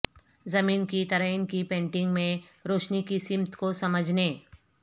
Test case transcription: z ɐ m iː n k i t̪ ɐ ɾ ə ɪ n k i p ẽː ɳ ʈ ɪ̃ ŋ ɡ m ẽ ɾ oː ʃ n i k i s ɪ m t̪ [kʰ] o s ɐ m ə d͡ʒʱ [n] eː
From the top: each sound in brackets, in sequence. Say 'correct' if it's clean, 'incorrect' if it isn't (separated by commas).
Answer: incorrect, correct